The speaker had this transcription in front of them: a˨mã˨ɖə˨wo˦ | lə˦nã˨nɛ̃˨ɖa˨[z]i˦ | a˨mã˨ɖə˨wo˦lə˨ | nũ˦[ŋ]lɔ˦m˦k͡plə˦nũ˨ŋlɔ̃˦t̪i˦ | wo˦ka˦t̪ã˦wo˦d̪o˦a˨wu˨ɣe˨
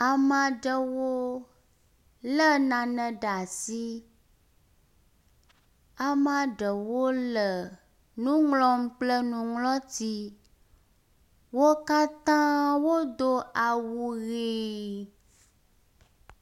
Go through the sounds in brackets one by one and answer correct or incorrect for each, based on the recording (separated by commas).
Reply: incorrect, correct